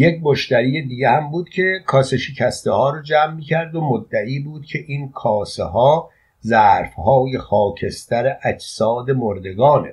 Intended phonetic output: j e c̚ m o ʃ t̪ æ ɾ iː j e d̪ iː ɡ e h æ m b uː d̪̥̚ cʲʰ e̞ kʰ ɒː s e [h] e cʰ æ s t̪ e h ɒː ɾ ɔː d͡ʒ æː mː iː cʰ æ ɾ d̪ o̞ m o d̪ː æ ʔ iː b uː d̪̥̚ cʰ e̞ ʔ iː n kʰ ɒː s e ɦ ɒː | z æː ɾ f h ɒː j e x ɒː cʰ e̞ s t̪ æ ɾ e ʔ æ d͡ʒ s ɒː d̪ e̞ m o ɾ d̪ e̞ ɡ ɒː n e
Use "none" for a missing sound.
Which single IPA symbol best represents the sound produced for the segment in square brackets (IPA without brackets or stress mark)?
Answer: ʃ